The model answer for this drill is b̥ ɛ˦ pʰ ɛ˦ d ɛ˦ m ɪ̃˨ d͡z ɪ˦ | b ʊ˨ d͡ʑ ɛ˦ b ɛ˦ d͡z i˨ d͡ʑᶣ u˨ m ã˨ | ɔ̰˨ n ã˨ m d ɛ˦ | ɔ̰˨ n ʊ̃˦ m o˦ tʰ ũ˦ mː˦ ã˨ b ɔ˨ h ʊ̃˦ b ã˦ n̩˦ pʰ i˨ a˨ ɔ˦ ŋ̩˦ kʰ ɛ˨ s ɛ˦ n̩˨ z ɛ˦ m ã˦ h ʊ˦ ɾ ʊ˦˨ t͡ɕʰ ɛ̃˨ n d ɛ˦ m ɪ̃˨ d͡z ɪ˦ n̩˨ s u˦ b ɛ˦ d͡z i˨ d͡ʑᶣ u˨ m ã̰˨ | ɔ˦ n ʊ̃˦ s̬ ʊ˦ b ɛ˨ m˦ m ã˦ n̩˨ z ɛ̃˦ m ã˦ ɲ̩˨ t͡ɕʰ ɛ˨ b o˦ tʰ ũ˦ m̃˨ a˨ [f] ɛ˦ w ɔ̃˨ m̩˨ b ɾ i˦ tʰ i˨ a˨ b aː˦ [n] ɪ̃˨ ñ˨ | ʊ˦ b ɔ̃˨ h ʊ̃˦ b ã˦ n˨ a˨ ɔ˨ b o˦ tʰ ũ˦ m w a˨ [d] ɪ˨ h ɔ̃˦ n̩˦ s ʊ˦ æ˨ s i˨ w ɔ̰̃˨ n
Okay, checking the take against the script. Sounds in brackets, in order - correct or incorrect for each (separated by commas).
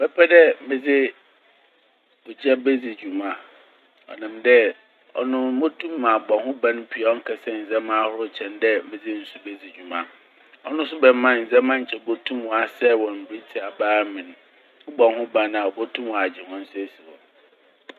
incorrect, incorrect, incorrect